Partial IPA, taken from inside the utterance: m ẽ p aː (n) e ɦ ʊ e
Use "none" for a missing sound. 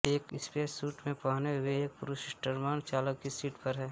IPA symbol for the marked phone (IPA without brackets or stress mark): n